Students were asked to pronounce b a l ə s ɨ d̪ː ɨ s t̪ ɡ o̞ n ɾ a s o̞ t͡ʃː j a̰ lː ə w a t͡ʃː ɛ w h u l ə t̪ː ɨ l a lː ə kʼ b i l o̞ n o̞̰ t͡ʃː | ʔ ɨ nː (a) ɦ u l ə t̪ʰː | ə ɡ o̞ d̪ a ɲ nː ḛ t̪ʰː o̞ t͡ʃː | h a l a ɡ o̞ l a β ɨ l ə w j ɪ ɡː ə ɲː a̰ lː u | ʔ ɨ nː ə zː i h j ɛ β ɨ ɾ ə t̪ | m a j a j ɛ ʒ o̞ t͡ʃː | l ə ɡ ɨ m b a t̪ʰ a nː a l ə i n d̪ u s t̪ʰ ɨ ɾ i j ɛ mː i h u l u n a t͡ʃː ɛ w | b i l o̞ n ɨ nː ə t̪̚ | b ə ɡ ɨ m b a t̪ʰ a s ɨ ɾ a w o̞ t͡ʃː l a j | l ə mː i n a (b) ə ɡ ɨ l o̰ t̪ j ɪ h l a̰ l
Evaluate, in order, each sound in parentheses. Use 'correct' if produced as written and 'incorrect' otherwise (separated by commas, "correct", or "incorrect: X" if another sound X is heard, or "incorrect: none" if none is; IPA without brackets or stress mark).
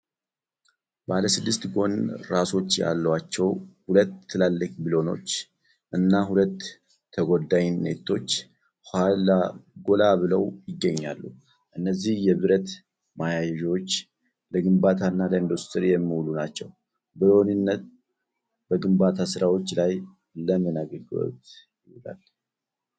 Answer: correct, incorrect: ɡ